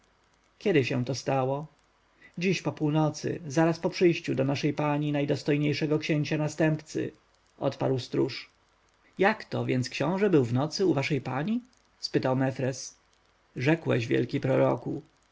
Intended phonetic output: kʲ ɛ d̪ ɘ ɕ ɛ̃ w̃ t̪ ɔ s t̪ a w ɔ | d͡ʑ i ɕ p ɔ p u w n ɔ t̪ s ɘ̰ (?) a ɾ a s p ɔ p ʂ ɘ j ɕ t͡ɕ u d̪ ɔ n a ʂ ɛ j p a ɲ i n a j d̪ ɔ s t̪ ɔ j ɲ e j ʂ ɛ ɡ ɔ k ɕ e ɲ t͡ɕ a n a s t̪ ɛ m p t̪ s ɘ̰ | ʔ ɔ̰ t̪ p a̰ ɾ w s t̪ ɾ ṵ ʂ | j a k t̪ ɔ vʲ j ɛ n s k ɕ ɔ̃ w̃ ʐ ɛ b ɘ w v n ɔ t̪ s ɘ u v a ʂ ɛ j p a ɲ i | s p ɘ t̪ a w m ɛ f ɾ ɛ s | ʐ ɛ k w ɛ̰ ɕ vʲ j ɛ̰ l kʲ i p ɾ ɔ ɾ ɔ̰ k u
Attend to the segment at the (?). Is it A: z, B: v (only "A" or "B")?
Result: A